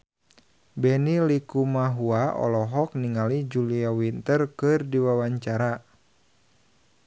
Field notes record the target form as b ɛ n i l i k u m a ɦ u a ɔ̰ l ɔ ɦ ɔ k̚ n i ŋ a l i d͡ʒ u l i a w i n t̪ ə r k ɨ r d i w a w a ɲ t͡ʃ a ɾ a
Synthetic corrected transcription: b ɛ n i l i k u m a ɦ u a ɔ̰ l ɔ ɦ ɔ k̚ n i ŋ a l i d͡ʒ u l i a w i n t̪ ə r k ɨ r d i w a w a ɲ t͡ʃ a ɾ a